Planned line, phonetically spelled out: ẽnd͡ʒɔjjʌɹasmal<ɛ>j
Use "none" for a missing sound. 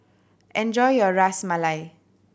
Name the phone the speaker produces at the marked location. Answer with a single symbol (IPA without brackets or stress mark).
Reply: a